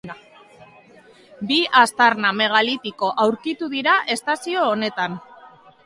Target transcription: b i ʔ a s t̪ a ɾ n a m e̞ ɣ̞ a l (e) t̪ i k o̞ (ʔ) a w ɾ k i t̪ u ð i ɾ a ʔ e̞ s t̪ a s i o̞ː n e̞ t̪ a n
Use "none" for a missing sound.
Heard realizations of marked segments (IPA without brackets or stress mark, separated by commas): i, ʔ